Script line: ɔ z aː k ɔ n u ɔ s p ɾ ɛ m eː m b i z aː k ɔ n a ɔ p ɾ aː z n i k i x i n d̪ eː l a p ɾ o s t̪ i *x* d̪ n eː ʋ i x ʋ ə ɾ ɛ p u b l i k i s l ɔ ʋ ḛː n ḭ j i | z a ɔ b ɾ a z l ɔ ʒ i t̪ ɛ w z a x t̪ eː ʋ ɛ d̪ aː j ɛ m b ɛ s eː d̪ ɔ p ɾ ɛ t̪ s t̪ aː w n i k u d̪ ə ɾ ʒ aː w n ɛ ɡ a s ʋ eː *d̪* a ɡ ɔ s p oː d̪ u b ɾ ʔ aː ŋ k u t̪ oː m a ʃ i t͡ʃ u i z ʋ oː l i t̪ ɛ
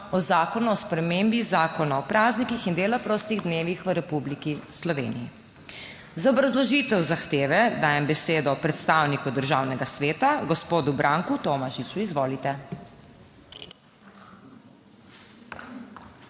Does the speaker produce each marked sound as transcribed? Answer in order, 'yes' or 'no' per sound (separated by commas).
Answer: no, no